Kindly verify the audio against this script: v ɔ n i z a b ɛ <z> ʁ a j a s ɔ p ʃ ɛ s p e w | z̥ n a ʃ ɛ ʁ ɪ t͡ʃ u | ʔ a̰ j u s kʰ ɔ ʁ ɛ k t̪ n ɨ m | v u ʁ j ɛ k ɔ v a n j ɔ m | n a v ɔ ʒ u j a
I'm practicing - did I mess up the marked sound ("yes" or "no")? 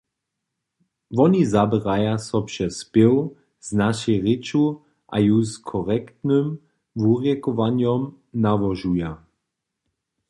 yes